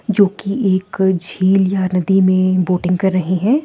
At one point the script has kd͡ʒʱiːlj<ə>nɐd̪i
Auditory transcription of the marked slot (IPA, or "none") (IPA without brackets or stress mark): a